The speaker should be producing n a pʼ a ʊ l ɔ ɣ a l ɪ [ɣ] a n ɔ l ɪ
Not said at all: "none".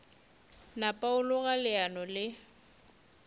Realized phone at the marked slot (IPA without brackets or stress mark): none